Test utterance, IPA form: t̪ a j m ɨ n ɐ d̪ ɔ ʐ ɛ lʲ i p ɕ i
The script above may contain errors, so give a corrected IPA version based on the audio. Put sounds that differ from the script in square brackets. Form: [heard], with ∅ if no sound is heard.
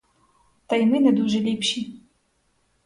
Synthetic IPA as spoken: t̪ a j m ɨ n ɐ d̪ [u] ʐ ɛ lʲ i p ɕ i